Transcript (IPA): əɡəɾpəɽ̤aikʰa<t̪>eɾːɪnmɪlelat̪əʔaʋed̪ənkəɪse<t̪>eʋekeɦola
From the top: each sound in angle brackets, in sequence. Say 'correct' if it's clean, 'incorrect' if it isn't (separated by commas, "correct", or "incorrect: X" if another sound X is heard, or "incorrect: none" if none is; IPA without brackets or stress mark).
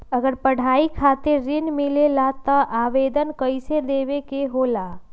correct, incorrect: d̪